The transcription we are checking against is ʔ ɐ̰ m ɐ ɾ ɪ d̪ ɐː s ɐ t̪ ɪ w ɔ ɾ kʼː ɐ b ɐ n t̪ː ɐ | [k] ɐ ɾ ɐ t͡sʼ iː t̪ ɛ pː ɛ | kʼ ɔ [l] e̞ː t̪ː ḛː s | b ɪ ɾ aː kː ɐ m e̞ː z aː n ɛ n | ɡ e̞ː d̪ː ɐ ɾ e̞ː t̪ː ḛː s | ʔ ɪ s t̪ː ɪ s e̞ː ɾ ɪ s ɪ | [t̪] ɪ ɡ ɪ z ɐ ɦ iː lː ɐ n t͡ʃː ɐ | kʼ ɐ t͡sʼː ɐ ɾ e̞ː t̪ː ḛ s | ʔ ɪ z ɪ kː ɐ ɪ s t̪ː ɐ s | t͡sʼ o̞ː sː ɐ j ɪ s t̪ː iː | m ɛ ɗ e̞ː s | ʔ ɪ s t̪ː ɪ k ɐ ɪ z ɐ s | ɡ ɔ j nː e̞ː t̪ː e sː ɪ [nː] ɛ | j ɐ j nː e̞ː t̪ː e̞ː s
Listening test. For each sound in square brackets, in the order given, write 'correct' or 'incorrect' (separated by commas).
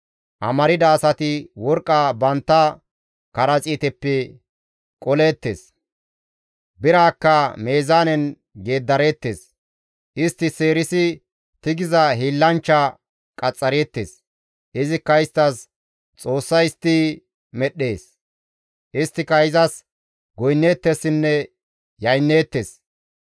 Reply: correct, correct, correct, correct